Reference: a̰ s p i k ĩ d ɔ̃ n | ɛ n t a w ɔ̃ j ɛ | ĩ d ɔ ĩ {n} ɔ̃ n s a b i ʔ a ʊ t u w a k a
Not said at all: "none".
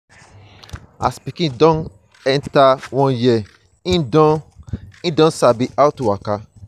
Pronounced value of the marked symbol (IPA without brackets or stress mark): d